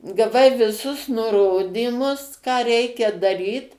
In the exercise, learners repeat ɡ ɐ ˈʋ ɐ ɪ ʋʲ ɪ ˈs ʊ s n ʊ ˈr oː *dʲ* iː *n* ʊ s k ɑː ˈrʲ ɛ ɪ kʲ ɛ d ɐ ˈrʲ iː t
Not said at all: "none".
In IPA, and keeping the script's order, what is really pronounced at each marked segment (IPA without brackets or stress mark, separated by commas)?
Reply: dʲ, m